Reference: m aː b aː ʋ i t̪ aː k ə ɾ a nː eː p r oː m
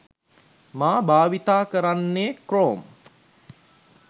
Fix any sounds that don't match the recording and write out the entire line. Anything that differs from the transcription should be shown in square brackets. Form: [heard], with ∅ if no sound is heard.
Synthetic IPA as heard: m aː b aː ʋ i t̪ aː k ə ɾ a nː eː [k] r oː m